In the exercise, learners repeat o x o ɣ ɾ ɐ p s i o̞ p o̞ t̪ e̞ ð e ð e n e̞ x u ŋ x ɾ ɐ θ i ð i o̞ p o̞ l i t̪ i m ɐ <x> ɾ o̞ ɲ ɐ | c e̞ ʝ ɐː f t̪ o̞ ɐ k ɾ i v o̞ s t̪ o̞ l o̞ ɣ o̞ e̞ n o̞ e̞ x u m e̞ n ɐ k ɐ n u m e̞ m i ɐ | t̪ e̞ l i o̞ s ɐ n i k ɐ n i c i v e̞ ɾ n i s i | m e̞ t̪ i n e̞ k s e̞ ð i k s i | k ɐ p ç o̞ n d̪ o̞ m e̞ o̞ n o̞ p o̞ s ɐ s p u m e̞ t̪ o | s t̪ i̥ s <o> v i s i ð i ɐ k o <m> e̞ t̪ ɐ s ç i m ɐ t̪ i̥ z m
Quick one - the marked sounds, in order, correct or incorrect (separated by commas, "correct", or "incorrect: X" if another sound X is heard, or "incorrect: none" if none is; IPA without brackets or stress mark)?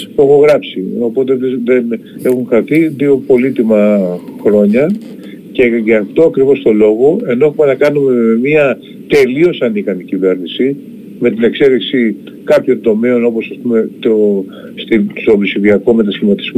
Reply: correct, correct, correct